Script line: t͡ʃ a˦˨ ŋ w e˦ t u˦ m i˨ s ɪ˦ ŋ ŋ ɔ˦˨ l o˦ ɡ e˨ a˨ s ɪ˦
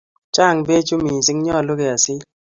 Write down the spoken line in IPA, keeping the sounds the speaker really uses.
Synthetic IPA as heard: t͡ʃ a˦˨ ŋ b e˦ t͡ʃ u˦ m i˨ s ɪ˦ ŋ ɲ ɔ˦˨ l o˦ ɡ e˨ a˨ s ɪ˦